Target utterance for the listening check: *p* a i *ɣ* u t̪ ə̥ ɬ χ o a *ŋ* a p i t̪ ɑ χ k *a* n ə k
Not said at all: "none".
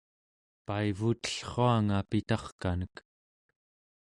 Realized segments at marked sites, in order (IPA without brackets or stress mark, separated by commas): p, v, ŋ, a